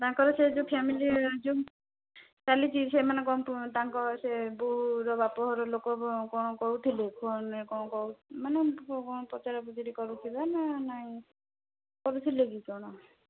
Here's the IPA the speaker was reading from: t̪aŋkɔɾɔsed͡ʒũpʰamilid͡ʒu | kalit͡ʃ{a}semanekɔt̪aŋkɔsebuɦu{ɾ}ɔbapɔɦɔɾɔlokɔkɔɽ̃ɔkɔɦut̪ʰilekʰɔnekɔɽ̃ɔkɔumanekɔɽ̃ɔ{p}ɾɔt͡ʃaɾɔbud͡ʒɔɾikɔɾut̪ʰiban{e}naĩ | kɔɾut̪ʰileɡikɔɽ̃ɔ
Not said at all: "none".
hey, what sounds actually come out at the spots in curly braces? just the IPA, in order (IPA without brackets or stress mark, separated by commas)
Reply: i, ɾ, p, a